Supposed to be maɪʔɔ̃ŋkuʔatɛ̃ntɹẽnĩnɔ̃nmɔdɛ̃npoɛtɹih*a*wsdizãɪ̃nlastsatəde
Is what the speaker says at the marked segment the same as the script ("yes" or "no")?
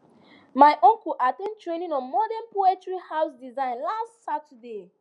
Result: yes